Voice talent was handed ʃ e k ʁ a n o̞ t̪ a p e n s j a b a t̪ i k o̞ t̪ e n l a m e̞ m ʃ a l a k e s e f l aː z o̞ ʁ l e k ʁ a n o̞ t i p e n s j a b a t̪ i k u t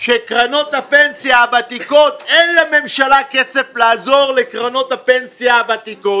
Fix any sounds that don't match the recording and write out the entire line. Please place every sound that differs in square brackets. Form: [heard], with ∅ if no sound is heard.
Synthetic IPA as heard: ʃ e k ʁ a n o̞ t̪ a p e n s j a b a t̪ i k o̞ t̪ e n l a m e̞ m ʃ a l a k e s e f l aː z o̞ ʁ l e k ʁ a n o̞ t [a] p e n s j a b a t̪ i k [o] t